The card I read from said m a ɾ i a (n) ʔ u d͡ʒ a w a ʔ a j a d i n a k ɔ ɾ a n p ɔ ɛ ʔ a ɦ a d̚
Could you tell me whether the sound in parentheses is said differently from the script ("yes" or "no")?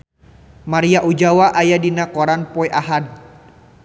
yes